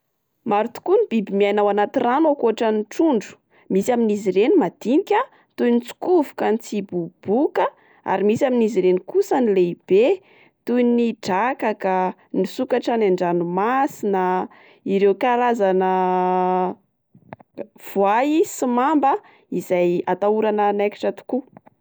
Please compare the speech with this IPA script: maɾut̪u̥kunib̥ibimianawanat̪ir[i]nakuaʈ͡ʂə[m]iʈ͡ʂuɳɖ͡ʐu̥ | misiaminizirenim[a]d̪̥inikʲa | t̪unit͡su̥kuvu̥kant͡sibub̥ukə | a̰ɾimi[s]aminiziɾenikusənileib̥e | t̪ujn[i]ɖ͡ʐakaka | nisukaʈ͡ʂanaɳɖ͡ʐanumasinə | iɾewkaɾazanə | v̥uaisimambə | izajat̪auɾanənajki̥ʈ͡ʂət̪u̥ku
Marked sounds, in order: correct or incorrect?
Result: incorrect, incorrect, correct, correct, correct

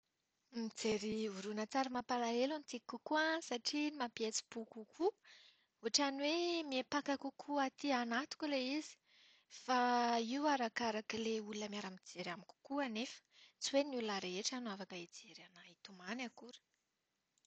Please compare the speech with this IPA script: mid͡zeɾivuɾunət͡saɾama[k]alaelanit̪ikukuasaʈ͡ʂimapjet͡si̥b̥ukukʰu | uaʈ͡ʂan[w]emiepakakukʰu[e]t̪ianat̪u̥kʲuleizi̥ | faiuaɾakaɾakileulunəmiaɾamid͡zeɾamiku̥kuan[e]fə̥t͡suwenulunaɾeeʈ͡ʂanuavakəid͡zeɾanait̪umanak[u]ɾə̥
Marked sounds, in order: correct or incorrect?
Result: incorrect, correct, incorrect, correct, correct

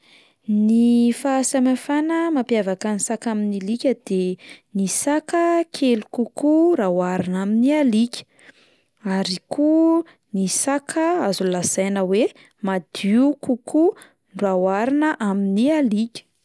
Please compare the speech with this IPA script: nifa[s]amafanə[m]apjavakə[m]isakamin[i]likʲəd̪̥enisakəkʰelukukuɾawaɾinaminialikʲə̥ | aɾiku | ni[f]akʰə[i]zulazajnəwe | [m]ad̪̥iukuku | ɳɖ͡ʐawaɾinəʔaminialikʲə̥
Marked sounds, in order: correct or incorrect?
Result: correct, correct, incorrect, correct, incorrect, incorrect, correct

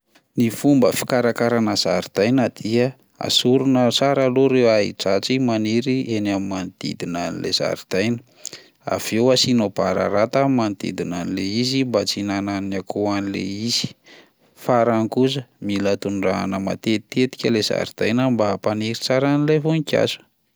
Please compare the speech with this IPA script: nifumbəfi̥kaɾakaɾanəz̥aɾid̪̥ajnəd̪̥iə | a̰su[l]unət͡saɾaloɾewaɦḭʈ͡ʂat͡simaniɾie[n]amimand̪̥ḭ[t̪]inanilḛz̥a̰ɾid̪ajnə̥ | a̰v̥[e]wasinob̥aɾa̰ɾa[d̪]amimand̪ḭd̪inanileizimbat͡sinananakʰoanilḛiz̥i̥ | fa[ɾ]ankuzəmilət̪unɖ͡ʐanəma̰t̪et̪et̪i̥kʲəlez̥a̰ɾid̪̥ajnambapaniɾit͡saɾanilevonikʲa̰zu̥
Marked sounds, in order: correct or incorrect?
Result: incorrect, correct, incorrect, correct, incorrect, correct

